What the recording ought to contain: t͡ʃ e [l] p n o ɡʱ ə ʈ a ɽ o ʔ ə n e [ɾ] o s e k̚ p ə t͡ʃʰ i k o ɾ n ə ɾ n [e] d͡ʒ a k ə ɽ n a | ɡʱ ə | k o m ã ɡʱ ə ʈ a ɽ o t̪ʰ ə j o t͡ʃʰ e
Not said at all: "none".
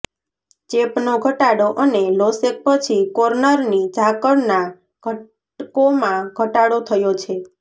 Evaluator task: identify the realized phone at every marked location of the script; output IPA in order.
none, l, i

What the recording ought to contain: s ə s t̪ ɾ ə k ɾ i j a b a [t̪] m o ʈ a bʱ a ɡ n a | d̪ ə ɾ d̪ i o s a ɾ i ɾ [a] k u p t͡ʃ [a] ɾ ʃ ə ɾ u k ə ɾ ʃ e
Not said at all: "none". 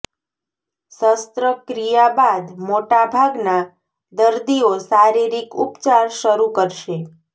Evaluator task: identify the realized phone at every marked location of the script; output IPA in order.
d̪, i, a

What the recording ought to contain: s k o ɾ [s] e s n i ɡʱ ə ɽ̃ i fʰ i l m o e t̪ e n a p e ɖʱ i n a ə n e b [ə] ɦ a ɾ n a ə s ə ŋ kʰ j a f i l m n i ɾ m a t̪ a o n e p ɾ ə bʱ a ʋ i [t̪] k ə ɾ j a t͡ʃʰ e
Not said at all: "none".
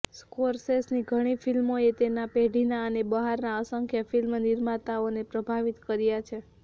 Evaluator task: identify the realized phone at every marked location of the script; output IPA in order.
s, ə, t̪

